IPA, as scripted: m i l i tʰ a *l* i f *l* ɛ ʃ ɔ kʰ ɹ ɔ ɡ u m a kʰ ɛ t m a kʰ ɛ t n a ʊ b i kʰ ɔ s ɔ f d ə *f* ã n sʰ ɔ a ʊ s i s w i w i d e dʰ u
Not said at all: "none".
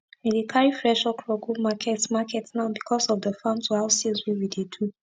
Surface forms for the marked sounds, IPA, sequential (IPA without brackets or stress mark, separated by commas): ɹ, ɹ, f